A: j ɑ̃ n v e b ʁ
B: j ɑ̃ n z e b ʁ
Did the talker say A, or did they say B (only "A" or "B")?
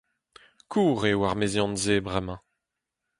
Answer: B